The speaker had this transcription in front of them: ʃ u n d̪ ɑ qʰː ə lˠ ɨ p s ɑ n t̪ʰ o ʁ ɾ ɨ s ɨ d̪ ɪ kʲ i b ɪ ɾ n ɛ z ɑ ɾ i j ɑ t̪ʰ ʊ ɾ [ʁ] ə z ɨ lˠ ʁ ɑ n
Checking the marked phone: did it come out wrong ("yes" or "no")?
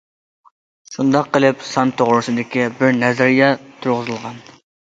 no